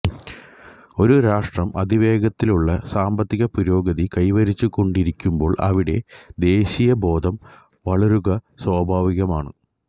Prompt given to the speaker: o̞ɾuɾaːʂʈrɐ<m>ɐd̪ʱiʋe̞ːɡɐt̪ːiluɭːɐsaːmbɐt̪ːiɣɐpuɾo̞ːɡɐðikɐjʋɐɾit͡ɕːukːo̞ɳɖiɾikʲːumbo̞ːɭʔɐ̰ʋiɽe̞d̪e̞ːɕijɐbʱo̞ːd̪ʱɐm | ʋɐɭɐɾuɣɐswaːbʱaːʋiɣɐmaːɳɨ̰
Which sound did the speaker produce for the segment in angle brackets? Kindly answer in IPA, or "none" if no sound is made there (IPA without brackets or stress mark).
m